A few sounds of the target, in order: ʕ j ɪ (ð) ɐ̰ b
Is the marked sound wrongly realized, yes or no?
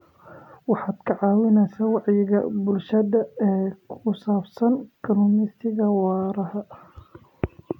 yes